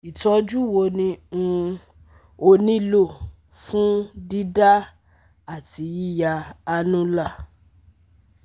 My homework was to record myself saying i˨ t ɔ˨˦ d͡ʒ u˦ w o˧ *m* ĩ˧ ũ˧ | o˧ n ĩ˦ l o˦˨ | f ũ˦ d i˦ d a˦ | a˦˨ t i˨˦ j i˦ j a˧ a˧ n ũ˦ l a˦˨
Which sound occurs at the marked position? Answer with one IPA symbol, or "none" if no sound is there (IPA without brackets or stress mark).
n